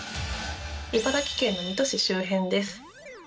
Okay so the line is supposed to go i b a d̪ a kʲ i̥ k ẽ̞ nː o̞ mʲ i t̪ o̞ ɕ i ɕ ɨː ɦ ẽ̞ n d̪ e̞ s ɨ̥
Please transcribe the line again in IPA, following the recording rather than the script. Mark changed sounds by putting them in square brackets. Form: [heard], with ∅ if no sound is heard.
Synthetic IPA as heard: i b a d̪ a kʲ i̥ k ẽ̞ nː o̞ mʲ i t̪ o̞ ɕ i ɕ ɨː ɦ ẽ̞ n d̪ e̞ s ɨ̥